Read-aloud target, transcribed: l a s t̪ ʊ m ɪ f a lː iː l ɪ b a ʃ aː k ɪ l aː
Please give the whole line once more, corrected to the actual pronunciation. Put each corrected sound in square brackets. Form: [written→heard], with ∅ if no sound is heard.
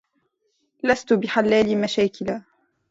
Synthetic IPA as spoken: l a s t̪ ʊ [m→b] ɪ [f→ħ] a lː [iː→aː] l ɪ [b→m] a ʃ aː k ɪ l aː